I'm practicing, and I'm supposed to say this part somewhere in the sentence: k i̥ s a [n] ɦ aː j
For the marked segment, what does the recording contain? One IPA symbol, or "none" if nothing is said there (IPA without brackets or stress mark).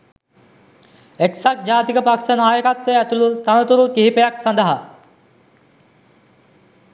n